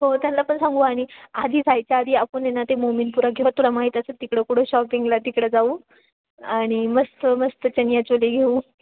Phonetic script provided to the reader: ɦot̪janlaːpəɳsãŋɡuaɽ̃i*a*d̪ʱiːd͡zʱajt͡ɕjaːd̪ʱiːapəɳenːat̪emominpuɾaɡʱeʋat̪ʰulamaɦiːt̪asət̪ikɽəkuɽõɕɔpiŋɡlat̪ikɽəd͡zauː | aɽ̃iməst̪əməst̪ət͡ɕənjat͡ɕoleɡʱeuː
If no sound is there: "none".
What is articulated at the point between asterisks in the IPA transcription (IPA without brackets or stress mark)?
a